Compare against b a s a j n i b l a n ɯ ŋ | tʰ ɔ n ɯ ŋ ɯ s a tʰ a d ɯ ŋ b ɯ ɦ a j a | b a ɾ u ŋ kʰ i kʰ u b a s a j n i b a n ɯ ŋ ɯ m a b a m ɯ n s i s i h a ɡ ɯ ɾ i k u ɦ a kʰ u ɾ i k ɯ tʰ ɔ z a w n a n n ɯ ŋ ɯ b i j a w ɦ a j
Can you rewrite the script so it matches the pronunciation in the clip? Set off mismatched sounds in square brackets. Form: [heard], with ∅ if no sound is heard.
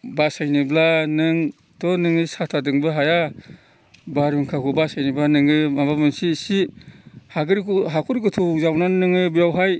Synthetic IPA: b a s a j n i b l a n ɯ ŋ | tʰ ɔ n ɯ ŋ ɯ s a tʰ a d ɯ ŋ b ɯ ɦ a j a | b a ɾ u ŋ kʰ [a] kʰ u b a s a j n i b a n ɯ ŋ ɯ m a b a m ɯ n s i s i h a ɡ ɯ ɾ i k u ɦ a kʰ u ɾ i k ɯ tʰ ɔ z a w n a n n ɯ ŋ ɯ b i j a w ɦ a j